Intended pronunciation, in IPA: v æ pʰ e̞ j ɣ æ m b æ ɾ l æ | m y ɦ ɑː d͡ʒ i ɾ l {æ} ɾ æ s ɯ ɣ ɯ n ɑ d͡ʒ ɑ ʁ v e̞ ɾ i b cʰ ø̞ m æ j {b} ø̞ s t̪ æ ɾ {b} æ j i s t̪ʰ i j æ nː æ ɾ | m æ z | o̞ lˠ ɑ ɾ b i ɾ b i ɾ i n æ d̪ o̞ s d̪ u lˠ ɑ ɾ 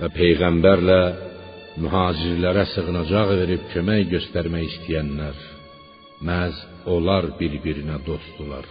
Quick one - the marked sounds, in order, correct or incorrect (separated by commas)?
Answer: correct, incorrect, incorrect